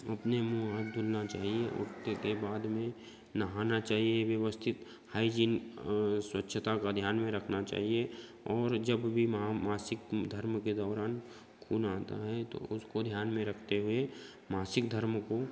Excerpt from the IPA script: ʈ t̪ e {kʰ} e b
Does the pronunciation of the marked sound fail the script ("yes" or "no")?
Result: yes